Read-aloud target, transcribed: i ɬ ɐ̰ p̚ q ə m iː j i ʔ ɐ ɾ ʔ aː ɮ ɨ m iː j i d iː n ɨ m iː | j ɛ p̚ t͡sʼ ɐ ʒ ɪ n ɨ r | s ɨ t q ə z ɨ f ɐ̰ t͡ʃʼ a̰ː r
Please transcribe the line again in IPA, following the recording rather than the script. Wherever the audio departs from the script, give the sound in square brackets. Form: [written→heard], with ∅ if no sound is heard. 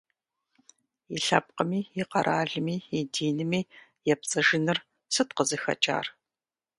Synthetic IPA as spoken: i ɬ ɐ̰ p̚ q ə m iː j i [ʔ→q] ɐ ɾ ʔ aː ɮ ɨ m iː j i d iː n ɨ m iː | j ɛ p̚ t͡sʼ ɐ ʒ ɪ n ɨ r | s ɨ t q ə z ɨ [f→x] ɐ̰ t͡ʃʼ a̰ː r